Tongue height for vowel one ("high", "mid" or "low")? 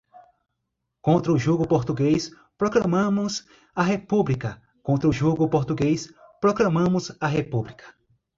mid